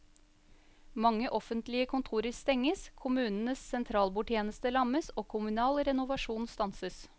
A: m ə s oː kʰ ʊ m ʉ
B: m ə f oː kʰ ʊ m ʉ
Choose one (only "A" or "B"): A